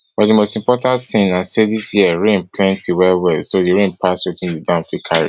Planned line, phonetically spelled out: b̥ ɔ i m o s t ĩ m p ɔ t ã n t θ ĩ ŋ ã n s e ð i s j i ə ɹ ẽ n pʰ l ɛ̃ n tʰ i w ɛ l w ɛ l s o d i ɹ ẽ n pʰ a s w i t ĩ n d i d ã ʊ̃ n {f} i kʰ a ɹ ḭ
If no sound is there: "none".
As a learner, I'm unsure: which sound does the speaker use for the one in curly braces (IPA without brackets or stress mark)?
f